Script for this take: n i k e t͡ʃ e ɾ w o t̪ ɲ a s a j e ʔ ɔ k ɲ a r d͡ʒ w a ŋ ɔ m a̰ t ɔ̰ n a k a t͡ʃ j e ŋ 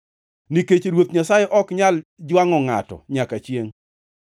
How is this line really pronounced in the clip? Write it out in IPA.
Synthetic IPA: n i k e t͡ʃ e ɾ w o t̪ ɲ a s a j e ʔ ɔ k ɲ a l d͡ʒ w a ŋ ɔ ŋ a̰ t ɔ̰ ɲ a k a t͡ʃ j e ŋ